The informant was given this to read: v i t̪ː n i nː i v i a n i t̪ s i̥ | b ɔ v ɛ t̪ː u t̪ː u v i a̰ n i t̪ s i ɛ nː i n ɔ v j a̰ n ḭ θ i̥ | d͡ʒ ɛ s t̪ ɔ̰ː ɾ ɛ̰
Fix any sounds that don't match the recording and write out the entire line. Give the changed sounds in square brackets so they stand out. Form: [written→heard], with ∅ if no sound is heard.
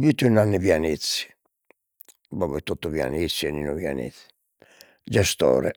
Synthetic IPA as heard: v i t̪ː n [i→a] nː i v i a n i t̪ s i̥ | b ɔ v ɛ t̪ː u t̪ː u v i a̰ n i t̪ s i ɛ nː i n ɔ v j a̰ n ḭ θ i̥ | d͡ʒ ɛ s t̪ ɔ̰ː ɾ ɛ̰

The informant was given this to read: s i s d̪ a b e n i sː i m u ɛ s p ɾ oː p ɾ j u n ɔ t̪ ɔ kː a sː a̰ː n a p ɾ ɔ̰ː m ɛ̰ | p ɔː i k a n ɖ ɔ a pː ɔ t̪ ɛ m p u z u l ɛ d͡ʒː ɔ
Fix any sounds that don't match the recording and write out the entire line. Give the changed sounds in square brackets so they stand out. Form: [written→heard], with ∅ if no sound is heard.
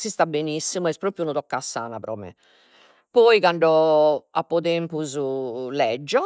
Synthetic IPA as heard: s i s [d̪→t̪] a b e n i sː i m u ɛ s p ɾ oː p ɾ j u n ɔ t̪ ɔ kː a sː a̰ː n a p ɾ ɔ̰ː m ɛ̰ | p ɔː i k a [n→ɳ] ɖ ɔ a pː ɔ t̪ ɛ m p u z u l ɛ d͡ʒː ɔ

